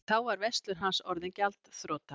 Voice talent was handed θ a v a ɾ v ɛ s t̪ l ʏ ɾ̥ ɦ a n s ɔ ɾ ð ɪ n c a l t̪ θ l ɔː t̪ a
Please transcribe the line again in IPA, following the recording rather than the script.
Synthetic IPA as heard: θ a w a ɾ v ɛ s t̪ l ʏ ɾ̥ ɦ a n s ɔ ɾ ð ɪ n c a l t̪ θ ɾ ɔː t̪ a